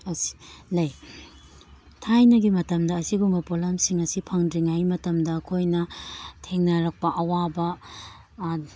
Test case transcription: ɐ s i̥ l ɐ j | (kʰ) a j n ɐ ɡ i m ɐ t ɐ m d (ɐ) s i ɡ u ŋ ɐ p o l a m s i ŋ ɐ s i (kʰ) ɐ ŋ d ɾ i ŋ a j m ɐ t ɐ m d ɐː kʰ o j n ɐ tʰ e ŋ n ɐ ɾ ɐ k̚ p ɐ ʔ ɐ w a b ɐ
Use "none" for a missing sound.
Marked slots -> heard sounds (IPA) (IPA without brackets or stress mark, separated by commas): tʰ, ɐː, pʰ